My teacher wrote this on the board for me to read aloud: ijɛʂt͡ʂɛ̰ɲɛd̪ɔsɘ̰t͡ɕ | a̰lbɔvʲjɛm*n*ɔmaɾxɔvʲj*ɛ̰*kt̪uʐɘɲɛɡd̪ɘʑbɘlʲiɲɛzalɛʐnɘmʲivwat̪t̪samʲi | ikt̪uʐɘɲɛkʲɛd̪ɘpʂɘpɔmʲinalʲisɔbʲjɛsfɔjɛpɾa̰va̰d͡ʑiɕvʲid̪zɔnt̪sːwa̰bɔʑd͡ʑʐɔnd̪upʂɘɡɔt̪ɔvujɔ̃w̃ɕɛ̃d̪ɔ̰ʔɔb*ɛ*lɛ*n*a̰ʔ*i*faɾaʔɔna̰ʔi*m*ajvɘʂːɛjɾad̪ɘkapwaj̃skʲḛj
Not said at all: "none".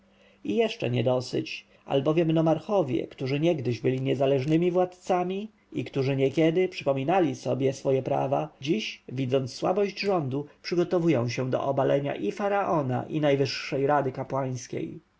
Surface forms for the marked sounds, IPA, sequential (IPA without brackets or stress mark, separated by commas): n, ɛ̰, a, ɲ, i, n